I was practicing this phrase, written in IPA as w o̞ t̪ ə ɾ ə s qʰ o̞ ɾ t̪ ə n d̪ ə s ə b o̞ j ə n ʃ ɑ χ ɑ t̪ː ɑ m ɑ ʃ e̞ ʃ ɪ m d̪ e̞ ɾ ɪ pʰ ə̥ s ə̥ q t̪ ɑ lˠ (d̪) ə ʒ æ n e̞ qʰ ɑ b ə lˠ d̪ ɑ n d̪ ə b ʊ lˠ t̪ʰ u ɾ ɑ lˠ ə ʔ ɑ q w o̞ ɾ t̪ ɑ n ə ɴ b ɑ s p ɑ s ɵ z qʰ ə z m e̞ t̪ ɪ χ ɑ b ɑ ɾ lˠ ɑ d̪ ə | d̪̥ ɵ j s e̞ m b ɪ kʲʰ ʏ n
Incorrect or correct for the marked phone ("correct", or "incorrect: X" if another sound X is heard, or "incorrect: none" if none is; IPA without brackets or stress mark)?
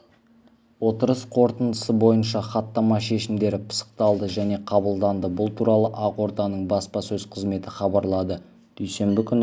correct